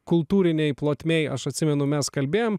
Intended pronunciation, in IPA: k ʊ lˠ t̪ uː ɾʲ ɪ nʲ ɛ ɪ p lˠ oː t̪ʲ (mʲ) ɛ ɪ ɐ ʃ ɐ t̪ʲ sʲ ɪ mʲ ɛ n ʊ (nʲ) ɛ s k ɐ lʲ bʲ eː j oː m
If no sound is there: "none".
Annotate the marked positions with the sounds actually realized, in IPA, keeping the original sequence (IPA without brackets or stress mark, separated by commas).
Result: mʲ, mʲ